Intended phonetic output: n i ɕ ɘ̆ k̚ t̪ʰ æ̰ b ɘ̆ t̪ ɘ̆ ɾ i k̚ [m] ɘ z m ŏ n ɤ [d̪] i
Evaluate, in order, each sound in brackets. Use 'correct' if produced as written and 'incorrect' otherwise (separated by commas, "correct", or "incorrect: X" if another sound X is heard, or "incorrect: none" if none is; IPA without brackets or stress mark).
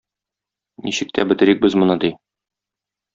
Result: incorrect: b, correct